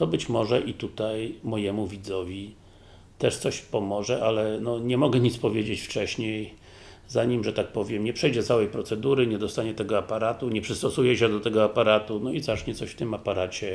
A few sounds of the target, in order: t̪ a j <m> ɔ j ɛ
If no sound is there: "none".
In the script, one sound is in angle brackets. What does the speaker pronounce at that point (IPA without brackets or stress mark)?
m